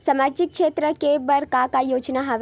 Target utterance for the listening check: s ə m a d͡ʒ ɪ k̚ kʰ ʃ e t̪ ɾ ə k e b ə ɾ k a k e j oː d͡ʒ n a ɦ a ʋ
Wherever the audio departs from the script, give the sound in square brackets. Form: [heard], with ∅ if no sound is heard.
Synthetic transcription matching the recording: s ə m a d͡ʒ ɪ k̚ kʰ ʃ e t̪ ɾ ə k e b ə ɾ k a k [a] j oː d͡ʒ n a ɦ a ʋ